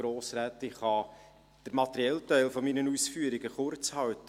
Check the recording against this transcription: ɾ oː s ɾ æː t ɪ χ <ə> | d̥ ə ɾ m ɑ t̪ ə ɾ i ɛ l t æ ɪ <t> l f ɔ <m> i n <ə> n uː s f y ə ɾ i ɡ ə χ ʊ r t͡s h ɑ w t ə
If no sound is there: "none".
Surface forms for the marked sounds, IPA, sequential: ɑ, none, m, ə

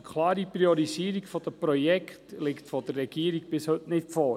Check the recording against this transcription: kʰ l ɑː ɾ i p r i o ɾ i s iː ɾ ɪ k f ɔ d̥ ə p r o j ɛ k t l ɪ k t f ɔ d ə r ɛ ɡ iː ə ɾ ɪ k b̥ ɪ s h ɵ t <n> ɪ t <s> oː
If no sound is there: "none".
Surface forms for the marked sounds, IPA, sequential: n, f

